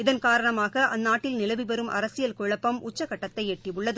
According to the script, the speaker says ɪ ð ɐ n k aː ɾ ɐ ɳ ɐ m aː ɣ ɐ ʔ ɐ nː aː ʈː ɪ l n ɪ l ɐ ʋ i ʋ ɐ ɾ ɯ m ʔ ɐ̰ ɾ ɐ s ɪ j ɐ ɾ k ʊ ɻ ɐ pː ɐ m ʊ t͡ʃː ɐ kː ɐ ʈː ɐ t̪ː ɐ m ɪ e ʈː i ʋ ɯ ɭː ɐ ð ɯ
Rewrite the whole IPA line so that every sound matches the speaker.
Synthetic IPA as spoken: ɪ ð ɐ n k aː ɾ ɐ ɳ ɐ m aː ɣ ɐ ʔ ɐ nː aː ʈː ɪ l n ɪ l ɐ ʋ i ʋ ɐ ɾ ɯ m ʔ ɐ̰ ɾ ɐ s ɪ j ɐ l k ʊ ɻ ɐ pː ɐ m ʊ t͡ʃː ɐ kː ɐ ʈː ɐ t̪ː ɐ ɪ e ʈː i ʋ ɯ ɭː ɐ ð ɯ